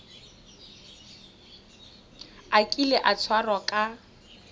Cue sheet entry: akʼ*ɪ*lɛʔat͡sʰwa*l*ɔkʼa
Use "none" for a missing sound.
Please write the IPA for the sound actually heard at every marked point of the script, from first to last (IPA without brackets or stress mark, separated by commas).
i, r